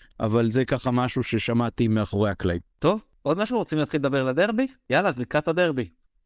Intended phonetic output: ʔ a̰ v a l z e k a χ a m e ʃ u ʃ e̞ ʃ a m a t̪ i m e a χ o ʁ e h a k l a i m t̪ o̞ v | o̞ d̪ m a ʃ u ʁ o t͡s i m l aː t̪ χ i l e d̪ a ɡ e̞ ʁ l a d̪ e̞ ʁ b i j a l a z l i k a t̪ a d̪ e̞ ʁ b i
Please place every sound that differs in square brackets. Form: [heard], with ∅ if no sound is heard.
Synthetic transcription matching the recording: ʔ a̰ v a l z e k a χ a m [a] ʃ u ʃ e̞ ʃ a m a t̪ i m e a χ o ʁ e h a k l a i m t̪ o̞ v | o̞ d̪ m a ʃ u ʁ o t͡s i m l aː t̪ χ i l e d̪ a [b] e̞ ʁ l a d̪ e̞ ʁ b i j a l a z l i k a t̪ a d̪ e̞ ʁ b i